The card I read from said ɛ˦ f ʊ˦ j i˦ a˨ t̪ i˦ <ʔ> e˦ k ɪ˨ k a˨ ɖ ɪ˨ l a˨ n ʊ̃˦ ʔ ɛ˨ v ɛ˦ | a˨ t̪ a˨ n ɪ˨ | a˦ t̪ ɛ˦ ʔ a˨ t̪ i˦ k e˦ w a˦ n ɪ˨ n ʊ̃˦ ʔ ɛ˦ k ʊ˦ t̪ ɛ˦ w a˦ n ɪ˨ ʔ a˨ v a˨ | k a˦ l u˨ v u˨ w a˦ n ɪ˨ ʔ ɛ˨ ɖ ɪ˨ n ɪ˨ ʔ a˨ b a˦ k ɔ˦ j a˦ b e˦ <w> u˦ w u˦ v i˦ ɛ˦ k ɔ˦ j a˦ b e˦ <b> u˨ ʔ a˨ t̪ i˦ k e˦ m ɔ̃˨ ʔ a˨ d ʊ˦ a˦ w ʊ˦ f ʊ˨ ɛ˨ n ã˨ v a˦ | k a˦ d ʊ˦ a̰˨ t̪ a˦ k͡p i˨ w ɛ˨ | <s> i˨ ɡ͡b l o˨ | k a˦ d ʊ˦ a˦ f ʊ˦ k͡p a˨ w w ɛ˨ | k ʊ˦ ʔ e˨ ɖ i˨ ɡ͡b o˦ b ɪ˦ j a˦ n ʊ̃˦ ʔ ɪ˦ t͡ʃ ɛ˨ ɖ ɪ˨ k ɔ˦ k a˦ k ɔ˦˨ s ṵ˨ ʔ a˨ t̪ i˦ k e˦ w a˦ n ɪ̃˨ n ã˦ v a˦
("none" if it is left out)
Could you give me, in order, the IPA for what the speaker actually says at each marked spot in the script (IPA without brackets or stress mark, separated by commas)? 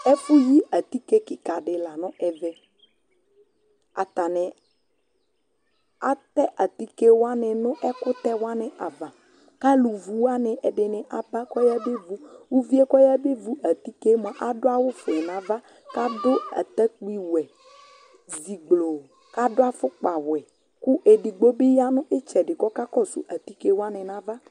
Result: k, v, v, z